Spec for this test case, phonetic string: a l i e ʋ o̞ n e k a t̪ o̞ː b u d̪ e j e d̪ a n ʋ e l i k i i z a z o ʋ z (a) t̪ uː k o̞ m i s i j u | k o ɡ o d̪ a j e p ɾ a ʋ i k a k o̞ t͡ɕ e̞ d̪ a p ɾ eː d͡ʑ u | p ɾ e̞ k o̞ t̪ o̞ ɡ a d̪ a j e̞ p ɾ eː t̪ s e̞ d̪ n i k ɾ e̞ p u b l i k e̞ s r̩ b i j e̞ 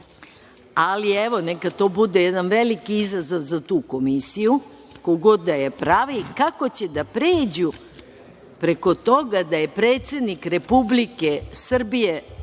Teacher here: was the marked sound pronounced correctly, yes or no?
yes